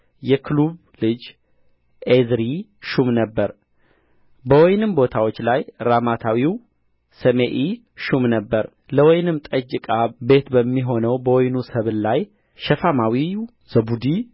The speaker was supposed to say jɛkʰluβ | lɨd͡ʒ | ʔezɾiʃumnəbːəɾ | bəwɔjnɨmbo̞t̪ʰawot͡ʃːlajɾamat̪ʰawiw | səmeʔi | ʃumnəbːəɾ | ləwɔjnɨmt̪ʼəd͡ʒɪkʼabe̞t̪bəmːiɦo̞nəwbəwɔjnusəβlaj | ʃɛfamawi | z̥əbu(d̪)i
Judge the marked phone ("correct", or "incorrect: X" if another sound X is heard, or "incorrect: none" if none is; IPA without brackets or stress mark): correct